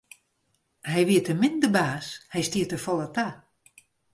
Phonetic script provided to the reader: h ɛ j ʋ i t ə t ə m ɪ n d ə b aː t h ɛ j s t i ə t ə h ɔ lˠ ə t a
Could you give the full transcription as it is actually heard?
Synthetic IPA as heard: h ɛ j ʋ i ə t ə m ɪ n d ə b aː s h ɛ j s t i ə t ə f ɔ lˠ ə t a